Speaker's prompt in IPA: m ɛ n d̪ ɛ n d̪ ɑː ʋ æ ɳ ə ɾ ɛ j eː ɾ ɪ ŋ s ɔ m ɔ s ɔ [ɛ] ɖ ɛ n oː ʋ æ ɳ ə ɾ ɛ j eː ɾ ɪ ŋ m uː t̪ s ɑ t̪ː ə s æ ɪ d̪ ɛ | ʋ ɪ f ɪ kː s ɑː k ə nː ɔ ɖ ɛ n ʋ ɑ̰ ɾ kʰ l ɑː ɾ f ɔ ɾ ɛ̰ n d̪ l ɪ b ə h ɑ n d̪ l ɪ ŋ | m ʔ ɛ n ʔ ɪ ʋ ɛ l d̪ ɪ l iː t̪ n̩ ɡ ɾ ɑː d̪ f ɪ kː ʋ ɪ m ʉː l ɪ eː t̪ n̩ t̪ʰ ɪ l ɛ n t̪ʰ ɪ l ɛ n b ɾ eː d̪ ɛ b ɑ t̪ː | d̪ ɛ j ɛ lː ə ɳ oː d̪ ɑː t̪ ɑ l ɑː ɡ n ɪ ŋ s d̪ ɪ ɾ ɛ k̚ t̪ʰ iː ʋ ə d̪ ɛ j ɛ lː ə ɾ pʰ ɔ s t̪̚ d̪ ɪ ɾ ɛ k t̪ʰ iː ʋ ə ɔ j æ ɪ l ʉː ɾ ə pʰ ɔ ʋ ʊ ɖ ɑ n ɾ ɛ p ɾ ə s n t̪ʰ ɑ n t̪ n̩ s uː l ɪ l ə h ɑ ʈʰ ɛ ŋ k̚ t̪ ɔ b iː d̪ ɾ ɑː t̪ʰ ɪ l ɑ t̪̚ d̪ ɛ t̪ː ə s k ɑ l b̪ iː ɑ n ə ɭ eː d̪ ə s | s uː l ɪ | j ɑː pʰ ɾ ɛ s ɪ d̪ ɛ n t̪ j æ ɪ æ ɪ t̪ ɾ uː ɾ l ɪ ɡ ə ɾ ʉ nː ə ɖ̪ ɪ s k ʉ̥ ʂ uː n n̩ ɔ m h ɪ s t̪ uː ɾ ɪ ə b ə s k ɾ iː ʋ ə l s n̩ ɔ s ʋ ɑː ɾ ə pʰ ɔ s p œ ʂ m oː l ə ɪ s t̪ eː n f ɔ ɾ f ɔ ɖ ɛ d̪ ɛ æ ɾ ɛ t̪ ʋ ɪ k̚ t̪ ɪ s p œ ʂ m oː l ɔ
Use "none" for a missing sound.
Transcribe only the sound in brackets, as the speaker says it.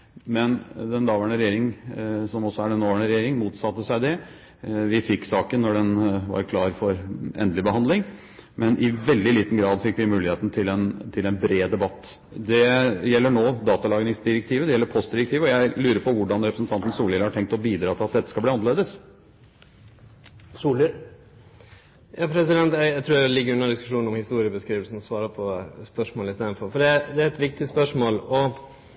æ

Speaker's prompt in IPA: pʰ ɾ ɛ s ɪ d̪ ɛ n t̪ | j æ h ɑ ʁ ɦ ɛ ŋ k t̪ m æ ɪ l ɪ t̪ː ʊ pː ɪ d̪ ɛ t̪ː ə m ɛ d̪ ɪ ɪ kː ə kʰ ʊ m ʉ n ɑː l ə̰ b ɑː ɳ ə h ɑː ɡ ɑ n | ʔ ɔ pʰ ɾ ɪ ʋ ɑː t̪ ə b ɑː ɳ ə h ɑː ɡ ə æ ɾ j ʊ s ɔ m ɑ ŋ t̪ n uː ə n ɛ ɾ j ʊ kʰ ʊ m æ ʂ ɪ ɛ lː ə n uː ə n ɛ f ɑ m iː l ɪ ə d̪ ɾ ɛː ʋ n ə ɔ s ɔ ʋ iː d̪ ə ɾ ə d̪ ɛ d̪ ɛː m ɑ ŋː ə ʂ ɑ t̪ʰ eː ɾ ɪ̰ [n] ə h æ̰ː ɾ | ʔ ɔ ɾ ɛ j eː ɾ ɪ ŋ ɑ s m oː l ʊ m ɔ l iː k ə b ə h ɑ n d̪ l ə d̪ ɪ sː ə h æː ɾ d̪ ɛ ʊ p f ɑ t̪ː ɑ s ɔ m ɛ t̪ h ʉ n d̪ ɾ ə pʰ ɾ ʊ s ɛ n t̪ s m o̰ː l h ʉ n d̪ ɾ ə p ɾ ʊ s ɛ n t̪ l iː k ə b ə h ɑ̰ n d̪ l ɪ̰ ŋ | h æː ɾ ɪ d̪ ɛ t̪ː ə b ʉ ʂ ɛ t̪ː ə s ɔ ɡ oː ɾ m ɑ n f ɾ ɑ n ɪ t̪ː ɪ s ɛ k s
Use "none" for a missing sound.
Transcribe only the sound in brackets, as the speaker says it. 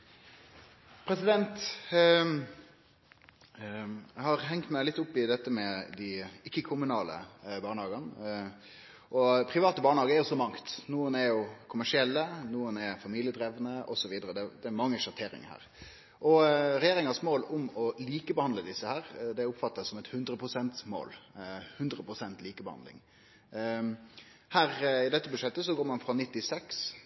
ŋ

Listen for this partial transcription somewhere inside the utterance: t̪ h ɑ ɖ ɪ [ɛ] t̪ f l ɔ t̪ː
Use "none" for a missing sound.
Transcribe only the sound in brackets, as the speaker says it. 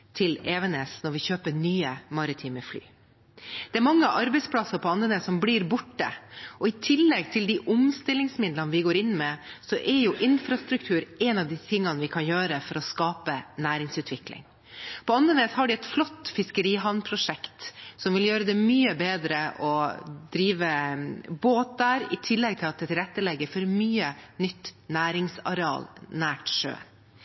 ɛ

